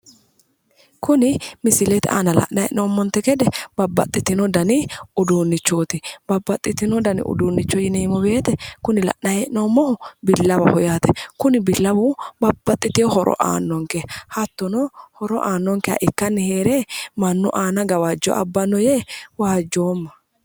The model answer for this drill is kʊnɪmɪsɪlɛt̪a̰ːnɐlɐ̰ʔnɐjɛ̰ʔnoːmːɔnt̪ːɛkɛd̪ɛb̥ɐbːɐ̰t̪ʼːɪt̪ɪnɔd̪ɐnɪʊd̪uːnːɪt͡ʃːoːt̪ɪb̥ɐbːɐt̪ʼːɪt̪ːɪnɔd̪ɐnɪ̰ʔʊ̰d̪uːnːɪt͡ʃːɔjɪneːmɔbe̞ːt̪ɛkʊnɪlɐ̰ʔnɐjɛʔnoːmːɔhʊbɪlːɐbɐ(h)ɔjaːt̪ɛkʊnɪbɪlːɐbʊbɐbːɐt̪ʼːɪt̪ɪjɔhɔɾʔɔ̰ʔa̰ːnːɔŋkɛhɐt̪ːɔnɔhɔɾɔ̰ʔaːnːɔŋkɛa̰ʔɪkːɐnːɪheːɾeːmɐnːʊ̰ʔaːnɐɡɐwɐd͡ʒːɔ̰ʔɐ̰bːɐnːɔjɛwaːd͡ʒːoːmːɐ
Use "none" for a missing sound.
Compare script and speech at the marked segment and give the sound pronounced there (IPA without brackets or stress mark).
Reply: h